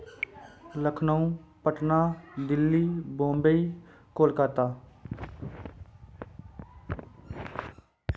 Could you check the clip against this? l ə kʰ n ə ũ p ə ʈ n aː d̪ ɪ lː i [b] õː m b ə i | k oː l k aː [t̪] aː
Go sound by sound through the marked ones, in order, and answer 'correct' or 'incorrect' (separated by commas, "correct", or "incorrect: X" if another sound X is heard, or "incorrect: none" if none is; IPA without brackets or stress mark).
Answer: correct, correct